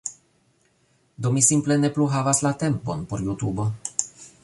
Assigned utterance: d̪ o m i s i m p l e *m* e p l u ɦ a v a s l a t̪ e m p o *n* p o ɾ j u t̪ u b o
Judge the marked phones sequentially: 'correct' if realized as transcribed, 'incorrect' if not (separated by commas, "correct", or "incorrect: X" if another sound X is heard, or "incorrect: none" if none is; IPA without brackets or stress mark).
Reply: incorrect: n, correct